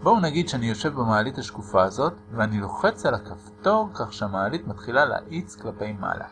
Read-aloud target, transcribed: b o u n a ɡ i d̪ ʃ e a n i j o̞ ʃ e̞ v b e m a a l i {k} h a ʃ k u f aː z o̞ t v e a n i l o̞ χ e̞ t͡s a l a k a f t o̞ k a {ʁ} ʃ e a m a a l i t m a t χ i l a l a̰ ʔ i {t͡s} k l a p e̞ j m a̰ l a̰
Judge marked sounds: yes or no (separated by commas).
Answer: no, no, yes